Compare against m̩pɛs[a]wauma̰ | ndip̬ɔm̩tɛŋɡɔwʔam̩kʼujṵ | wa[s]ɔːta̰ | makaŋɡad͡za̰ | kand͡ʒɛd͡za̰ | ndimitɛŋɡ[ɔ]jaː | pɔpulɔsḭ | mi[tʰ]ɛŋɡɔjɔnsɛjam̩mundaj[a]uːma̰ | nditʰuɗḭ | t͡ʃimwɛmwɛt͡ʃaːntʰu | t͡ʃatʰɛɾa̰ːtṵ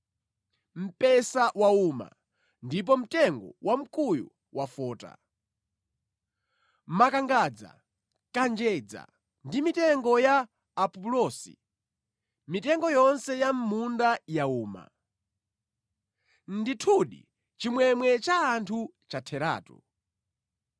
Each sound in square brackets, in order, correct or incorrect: correct, incorrect: f, correct, incorrect: t, correct

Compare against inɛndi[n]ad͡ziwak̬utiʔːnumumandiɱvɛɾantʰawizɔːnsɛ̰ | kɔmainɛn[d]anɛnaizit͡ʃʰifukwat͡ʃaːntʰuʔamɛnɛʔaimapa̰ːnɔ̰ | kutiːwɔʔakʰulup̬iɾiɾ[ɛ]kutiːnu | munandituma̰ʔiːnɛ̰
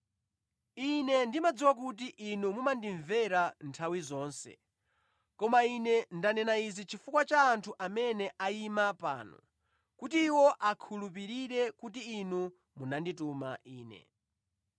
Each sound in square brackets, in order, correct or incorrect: incorrect: m, correct, correct

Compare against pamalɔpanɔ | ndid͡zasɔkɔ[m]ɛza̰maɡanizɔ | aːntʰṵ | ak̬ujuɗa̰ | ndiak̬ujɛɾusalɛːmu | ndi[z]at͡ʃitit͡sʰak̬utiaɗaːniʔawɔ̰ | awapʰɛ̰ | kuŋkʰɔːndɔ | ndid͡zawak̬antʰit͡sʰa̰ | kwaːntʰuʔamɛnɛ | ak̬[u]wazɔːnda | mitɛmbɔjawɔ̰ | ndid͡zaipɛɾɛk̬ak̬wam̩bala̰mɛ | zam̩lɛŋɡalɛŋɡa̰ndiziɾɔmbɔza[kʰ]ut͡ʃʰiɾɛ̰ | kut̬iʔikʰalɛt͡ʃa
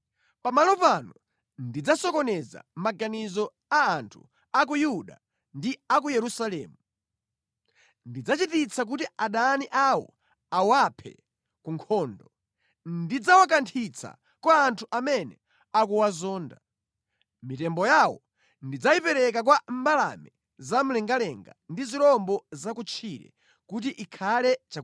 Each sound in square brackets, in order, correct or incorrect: incorrect: n, incorrect: d͡z, correct, incorrect: k

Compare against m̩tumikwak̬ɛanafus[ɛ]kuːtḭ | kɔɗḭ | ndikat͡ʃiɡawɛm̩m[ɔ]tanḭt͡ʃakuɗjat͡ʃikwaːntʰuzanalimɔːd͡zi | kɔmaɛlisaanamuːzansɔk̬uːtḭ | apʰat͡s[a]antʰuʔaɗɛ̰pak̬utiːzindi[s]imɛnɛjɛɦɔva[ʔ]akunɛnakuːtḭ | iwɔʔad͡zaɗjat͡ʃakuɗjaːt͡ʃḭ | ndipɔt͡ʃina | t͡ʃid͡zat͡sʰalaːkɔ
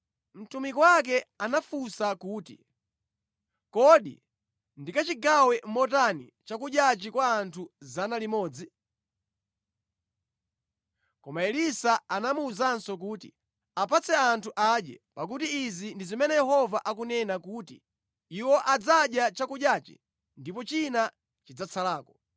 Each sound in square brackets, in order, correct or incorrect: incorrect: a, correct, incorrect: ɛ, incorrect: z, correct

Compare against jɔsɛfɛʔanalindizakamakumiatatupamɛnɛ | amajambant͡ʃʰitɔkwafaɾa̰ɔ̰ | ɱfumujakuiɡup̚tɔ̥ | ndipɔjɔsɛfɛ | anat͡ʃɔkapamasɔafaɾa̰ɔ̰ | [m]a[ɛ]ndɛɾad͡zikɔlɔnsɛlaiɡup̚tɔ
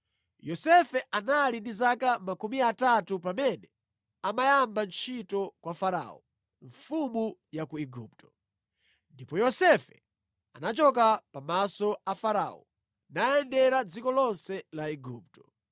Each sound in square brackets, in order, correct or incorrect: incorrect: n, correct

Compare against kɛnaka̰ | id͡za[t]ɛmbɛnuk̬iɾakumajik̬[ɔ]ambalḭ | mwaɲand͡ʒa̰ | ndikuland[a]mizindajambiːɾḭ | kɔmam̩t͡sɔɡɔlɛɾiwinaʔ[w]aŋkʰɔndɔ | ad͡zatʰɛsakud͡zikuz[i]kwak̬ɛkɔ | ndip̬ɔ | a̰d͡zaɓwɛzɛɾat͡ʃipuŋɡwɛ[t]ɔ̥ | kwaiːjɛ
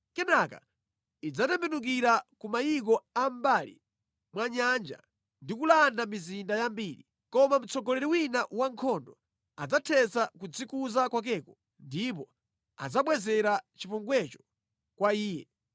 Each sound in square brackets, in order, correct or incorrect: correct, correct, correct, correct, incorrect: a, incorrect: t͡ʃ

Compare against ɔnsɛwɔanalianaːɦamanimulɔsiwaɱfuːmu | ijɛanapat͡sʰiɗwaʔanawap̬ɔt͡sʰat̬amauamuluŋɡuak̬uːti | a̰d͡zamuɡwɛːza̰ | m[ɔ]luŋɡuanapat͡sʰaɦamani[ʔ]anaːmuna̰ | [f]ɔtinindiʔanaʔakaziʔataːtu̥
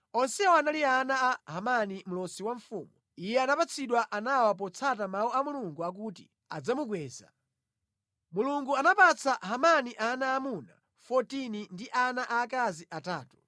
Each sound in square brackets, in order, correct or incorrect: incorrect: u, correct, correct

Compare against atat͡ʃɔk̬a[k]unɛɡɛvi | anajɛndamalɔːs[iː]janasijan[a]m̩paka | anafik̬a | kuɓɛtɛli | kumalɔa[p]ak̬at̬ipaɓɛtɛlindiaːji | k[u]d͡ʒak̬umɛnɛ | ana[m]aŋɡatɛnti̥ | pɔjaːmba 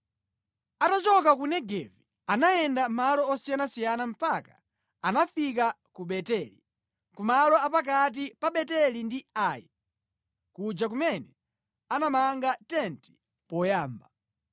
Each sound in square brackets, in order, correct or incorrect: correct, incorrect: i, correct, correct, correct, correct

